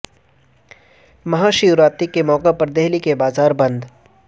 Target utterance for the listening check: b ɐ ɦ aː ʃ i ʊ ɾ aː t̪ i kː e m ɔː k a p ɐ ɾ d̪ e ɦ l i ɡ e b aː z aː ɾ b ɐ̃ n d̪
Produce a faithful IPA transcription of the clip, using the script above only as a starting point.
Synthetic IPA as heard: m ɐ ɦ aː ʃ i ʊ ɾ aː t̪ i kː e m ɔː k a p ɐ ɾ d̪ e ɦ l i k e b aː z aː ɾ b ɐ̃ n d̪